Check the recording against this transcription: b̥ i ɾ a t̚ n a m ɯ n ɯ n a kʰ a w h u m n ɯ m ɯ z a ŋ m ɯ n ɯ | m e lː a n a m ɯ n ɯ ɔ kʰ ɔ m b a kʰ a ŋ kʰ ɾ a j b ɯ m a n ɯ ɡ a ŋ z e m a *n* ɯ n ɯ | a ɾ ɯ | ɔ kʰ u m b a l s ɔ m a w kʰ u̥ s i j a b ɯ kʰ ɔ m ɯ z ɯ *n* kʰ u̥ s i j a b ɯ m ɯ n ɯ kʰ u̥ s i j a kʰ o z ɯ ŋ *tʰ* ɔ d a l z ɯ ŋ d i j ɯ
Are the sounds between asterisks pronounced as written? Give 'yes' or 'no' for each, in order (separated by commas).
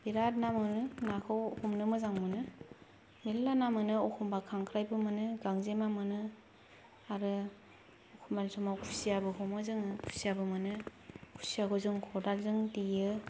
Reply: no, no, no